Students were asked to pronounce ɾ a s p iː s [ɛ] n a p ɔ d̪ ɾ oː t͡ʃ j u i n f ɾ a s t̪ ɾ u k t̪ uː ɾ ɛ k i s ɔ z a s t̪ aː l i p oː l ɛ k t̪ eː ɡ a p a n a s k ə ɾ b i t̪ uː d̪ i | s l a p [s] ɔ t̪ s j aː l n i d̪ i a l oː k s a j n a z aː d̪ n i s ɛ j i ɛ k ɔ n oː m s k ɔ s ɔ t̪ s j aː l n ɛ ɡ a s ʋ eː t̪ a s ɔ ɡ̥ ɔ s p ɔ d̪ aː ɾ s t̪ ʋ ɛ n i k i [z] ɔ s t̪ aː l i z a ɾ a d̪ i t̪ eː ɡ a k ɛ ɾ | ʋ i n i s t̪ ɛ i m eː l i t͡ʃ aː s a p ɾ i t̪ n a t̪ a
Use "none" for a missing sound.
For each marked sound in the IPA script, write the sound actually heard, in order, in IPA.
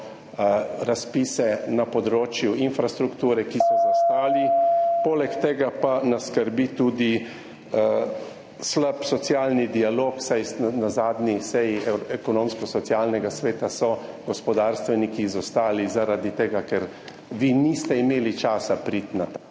ɛ, s, z

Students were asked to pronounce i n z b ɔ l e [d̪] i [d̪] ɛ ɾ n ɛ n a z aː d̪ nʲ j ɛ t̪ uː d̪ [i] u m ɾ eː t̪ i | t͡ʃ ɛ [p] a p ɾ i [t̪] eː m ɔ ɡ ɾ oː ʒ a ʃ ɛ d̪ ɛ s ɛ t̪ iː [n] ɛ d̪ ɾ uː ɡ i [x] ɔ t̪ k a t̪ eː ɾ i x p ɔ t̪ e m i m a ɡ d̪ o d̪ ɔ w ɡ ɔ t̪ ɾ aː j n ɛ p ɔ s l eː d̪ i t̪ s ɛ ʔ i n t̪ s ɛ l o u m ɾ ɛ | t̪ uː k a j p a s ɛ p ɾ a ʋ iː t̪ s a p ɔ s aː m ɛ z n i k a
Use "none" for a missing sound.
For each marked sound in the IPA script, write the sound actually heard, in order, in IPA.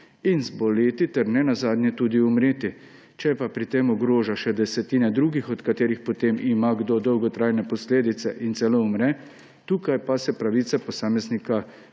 t̪, t̪, i, p, t̪, n, x

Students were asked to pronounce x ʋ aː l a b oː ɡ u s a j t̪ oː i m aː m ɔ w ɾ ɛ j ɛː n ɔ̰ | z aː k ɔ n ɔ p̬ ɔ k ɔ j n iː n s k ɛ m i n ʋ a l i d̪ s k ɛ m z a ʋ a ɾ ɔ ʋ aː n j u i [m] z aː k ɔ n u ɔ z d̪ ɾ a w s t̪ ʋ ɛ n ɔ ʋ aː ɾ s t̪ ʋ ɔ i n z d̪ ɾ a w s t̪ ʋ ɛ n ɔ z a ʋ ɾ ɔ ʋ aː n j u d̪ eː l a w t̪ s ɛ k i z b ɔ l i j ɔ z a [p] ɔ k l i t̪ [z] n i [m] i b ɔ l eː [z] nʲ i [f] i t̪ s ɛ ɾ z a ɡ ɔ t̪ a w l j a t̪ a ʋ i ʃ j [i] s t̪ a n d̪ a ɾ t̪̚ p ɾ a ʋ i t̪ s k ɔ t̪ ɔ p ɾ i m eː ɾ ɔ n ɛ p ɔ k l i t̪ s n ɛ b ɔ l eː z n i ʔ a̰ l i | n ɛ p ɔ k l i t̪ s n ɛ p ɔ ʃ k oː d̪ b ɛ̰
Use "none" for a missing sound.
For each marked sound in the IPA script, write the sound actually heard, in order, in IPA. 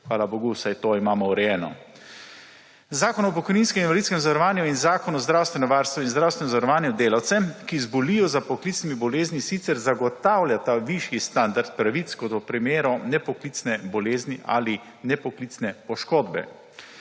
n, p, s, m, z, s, i

